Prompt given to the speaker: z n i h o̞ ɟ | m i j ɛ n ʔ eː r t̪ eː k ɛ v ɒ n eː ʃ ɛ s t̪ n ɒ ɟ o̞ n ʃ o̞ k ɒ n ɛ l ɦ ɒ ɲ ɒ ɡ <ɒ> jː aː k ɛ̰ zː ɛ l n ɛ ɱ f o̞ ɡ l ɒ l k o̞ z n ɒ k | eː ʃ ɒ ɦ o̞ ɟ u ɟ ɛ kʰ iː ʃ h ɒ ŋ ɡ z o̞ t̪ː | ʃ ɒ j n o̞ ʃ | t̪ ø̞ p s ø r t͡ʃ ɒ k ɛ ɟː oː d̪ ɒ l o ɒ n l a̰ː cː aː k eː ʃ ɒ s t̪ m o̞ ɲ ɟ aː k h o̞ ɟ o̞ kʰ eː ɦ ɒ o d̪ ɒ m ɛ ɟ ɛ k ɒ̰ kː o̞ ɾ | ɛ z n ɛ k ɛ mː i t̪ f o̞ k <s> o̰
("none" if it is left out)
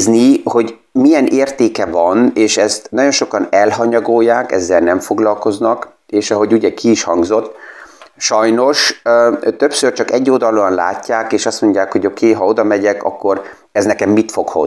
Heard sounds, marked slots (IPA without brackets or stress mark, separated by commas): o, h